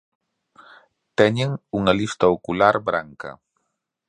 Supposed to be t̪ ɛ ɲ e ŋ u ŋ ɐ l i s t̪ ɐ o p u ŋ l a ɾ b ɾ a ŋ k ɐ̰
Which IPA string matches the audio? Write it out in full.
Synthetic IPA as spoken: t̪ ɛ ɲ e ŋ u ŋ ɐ l i s t̪ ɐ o k u l a ɾ b ɾ a ŋ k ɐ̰